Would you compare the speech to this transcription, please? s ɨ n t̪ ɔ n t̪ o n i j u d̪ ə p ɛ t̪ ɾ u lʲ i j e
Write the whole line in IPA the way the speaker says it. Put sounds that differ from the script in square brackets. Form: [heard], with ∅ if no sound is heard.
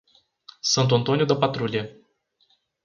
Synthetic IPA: s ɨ n t̪ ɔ n t̪ o n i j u d̪ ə p [a] t̪ ɾ u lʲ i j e